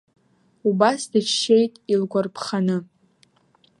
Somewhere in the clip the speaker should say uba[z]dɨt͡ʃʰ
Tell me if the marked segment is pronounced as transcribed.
no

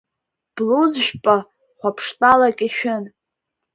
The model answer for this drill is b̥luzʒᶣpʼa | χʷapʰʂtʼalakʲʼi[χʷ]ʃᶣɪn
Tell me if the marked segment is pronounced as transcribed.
no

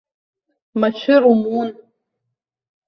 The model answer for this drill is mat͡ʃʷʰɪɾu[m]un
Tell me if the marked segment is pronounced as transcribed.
yes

